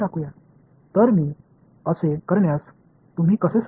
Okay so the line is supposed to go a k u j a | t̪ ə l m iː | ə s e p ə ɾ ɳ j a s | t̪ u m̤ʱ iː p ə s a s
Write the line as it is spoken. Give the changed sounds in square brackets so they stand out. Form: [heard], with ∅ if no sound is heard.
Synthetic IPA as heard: a k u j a | t̪ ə [ɾ] m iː | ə s e [k] ə ɾ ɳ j a s | t̪ u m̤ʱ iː [k] ə s [e] s